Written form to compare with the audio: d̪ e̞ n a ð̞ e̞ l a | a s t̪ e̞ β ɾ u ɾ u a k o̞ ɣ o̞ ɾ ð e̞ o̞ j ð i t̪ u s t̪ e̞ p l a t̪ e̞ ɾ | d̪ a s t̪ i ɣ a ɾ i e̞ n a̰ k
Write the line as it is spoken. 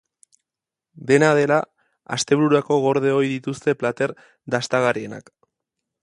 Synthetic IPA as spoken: d̪ e̞ n a ð̞ e̞ l a | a s t̪ e̞ β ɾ u ɾ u a k o̞ ɣ o̞ ɾ ð e̞ o̞ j ð i t̪ u s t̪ e̞ p l a t̪ e̞ ɾ | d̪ a s t̪ a ɣ a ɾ i e̞ n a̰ k